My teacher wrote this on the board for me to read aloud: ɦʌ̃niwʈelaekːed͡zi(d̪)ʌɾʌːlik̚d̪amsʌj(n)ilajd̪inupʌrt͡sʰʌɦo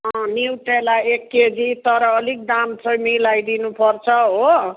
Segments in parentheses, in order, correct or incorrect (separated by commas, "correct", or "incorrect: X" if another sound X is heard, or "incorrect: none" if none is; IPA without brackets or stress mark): incorrect: t̪, incorrect: m